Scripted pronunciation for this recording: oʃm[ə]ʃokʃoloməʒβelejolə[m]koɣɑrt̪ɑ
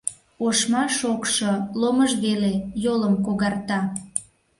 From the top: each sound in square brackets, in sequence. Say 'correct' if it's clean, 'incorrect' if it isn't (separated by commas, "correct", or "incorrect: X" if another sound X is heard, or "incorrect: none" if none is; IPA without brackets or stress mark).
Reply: incorrect: ɑ, correct